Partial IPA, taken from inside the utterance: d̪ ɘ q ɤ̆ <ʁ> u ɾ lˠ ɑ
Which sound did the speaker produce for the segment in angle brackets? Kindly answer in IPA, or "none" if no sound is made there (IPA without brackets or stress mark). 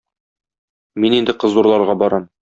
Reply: z